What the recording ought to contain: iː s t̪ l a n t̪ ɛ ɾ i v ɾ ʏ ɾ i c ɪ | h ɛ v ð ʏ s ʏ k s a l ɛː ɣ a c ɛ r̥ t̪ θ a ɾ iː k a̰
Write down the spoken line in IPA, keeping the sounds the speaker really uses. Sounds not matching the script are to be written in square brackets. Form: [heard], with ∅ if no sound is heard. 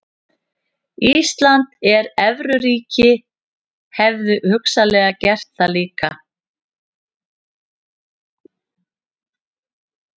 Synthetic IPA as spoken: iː s t̪ l a n t̪ ɛ ɾ [ɛ] v ɾ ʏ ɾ [iː] c ɪ | h ɛ v ð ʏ [h] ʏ k s a l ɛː ɣ a c ɛ r̥ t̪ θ a [l] iː k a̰